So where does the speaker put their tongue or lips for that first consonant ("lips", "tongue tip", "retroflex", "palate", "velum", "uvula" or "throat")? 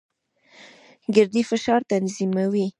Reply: velum